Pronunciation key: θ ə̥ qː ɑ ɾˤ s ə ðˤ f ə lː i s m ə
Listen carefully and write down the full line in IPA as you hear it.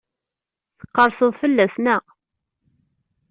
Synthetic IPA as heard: θ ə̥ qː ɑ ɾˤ s ə ðˤ f ə lː æ s n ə